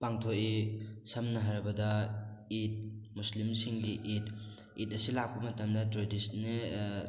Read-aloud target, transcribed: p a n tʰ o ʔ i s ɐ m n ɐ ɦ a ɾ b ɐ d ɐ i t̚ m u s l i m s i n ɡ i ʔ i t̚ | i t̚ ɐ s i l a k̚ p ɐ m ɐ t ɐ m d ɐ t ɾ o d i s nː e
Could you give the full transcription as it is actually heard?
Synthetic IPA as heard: p a ŋ tʰ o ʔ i s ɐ m n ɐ ɦ a ɾ b ɐ d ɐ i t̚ m u s l i m s i ŋ ɡ i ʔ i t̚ | i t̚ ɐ s i l a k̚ p ɐ m ɐ t ɐ m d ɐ t ɾ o d i s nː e